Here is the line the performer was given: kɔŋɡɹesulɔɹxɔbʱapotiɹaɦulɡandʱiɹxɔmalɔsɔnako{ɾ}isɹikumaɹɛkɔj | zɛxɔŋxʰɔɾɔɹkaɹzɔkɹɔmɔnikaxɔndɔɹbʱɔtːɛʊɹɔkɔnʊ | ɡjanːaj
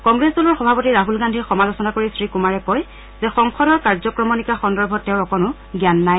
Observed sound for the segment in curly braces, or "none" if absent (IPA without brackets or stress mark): ɹ